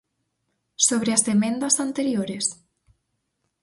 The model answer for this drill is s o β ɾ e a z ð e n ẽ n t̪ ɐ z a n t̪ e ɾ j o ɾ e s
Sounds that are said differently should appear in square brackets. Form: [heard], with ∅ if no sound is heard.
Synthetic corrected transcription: s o β ɾ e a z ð e [m] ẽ n [d̪] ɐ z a n t̪ e ɾ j o ɾ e s